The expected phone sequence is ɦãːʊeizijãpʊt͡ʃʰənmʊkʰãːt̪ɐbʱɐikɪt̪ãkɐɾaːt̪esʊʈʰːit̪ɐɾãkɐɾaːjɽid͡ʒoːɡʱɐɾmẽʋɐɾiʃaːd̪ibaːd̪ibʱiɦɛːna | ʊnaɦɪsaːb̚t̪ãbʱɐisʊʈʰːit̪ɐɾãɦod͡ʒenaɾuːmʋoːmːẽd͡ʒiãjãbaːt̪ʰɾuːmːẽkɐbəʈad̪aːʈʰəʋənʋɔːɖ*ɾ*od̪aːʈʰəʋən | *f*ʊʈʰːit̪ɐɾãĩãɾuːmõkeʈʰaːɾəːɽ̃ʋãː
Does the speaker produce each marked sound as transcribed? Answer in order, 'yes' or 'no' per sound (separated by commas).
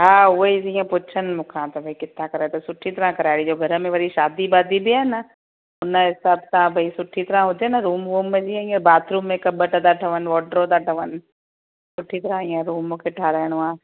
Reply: yes, no